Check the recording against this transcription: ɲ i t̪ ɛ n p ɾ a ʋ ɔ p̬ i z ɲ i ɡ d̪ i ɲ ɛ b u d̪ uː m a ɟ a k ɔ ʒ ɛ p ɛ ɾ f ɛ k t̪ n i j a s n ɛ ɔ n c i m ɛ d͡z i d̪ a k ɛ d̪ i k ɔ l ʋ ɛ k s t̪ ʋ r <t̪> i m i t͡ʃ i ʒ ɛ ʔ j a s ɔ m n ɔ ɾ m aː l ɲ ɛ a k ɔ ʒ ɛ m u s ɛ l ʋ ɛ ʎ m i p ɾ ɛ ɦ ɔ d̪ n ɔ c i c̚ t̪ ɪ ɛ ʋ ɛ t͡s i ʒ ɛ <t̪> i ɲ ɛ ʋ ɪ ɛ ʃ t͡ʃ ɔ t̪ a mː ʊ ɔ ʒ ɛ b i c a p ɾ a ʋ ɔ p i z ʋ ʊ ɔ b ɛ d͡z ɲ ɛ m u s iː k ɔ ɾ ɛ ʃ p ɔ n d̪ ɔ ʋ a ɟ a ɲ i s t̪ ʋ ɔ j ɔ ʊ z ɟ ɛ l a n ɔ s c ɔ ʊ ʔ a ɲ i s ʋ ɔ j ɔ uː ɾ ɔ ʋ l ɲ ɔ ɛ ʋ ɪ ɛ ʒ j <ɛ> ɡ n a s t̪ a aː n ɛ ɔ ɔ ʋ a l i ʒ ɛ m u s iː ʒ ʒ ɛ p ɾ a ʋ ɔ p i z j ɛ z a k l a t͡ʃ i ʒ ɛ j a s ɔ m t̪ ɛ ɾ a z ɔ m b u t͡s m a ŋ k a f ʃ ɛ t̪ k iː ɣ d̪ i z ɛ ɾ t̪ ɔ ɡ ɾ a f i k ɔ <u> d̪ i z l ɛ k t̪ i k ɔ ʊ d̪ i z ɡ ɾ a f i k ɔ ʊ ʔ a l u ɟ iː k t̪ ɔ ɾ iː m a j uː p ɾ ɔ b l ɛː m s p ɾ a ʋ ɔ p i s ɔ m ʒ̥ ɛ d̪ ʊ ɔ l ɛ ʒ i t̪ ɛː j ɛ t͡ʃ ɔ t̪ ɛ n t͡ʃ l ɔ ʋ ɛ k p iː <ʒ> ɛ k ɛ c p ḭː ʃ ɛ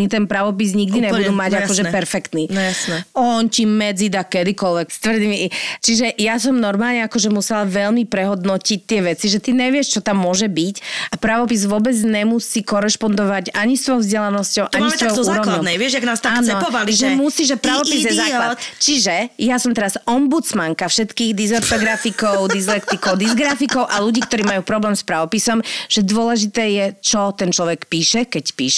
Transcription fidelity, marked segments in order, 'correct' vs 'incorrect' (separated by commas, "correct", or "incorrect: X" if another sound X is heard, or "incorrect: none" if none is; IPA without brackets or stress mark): incorrect: d̪, correct, incorrect: a, incorrect: ʊ, incorrect: ʃ